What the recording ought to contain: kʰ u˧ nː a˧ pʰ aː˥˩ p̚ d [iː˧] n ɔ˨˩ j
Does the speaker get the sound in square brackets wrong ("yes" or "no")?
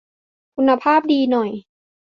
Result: no